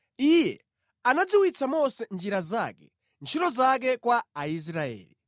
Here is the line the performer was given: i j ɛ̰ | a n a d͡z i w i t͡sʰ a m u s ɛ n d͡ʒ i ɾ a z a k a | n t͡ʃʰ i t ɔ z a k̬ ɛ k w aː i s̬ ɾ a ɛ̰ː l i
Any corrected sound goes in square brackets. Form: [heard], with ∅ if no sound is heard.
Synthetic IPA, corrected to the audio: i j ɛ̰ | a n a d͡z i w i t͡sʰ a m [ɔ] s ɛ n d͡ʒ i ɾ a z a k [ɛ] | n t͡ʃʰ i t ɔ z a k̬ ɛ k w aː i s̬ ɾ a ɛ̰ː l i